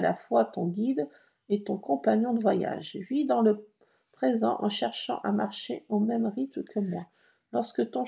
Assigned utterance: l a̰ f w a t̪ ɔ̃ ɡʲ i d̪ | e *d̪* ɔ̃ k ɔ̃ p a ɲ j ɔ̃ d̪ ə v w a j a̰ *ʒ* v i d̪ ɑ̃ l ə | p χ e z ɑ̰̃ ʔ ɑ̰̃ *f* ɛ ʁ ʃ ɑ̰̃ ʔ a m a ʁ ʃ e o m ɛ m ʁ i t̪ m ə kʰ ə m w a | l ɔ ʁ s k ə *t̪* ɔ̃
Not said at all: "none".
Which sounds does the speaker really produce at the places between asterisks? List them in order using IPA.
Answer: t̪, ʒ, ʃ, t̪

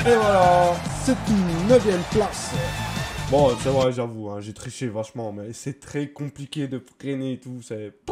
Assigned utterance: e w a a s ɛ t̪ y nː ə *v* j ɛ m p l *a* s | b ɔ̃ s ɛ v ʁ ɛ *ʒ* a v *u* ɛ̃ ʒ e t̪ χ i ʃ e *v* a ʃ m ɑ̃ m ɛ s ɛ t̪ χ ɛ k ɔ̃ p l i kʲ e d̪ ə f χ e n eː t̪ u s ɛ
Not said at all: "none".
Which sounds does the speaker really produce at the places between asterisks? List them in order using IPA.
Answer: v, a, ʒ, u, v

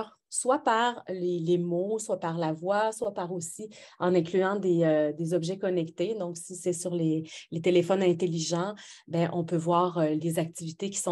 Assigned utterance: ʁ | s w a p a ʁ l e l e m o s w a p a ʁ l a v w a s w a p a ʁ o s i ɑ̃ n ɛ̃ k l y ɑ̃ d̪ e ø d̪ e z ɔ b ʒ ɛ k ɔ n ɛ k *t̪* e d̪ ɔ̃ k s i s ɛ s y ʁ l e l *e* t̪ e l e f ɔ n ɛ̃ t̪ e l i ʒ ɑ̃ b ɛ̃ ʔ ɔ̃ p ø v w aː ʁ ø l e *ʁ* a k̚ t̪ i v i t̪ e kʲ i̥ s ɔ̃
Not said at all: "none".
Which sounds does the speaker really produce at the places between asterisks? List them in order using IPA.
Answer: t̪, e, z

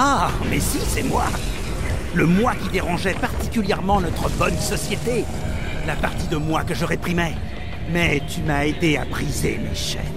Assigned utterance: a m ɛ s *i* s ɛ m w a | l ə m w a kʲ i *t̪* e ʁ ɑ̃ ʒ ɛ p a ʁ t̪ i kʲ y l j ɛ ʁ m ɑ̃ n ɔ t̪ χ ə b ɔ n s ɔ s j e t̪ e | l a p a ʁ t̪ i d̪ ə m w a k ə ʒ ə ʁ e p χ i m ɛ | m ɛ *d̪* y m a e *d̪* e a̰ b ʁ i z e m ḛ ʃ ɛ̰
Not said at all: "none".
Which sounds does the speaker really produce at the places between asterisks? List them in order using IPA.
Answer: i, d̪, t̪, d̪

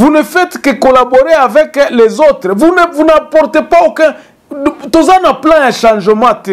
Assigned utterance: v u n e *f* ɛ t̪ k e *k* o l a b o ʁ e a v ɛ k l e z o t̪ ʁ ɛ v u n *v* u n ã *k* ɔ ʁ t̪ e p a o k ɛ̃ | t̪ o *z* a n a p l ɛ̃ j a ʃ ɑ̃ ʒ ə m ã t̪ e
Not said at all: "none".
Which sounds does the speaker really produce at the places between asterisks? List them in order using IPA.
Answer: f, k, v, p, z

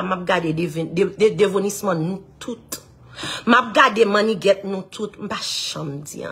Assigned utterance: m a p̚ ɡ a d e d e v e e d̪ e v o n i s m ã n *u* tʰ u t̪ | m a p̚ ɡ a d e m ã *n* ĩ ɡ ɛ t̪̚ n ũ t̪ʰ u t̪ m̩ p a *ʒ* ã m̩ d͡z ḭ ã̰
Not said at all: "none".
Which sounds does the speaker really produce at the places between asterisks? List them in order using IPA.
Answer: ũ, n, ʃ

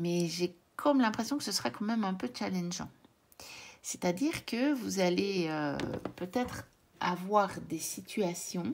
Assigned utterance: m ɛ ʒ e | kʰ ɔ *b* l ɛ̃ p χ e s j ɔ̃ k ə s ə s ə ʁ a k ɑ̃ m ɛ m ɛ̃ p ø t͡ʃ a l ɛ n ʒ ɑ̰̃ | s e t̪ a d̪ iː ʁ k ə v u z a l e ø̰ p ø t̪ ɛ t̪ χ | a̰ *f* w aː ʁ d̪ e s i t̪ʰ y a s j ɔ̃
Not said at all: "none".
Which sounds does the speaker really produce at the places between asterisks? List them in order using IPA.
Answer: m, v

